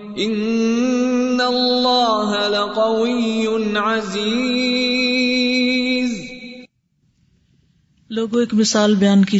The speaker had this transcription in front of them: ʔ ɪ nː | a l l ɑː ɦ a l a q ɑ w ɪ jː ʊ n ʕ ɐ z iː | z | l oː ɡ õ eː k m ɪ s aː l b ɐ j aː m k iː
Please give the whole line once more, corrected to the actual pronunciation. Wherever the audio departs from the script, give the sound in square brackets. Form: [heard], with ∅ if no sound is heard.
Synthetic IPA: ʔ ɪ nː | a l [lː] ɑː ɦ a l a q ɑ w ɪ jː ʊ n ʕ [a] z iː | z | l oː ɡ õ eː k m ɪ s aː l b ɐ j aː [n] k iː